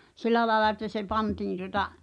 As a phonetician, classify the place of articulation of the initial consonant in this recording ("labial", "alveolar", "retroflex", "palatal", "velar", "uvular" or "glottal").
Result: alveolar